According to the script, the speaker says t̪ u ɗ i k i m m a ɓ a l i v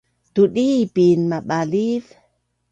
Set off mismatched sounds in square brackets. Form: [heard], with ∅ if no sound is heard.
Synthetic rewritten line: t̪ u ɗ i [p] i [n] m a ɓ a l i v

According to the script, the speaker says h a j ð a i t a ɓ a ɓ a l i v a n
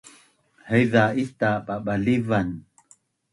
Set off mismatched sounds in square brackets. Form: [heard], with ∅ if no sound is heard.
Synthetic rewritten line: h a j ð a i t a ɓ a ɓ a l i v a n

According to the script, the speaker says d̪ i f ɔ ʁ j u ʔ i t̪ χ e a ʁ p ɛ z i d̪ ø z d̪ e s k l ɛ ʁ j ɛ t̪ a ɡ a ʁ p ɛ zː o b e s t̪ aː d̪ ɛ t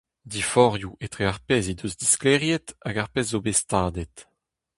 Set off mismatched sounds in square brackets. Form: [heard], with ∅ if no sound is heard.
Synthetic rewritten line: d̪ i f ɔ ʁ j u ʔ [e] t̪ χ e a ʁ p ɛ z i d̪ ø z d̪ [i] s k l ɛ ʁ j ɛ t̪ a ɡ a ʁ p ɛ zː o b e s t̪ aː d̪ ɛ t

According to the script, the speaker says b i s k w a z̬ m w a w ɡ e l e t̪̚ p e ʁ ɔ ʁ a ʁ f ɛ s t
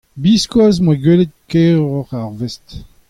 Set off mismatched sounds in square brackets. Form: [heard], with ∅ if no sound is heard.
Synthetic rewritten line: b i s k w a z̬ m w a [∅] ɡ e l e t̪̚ [k] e ʁ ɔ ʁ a ʁ [v] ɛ s t

